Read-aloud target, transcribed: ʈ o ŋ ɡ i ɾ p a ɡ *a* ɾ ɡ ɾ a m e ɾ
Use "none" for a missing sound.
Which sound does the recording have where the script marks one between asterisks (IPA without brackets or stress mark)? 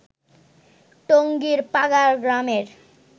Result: a